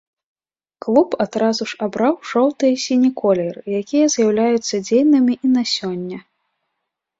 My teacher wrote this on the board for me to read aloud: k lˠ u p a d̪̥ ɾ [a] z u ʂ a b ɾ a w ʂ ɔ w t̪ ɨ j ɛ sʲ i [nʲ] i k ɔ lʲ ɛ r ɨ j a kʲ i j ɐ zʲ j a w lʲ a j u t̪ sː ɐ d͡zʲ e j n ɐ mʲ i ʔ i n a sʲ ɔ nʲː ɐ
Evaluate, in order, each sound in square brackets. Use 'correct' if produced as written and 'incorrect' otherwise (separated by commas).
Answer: correct, correct